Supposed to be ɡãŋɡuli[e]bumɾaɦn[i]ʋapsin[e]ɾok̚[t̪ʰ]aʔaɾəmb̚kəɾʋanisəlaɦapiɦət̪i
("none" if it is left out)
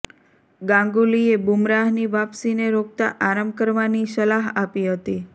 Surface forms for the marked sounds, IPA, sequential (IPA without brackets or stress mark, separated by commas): e, i, e, t̪